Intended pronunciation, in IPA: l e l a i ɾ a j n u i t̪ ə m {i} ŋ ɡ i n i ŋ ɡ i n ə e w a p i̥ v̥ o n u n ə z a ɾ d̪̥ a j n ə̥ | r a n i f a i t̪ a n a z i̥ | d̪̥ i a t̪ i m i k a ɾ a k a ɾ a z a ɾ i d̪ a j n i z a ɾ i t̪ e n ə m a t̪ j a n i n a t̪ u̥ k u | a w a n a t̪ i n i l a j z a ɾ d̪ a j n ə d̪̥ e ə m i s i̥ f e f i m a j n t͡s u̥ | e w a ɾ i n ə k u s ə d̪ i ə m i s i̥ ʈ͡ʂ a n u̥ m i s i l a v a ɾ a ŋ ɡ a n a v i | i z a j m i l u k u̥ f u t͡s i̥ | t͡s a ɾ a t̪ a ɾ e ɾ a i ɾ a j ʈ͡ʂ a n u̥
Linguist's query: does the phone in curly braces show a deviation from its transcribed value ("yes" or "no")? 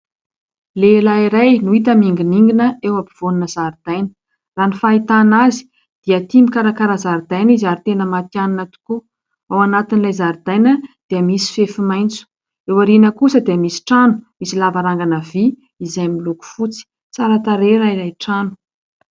no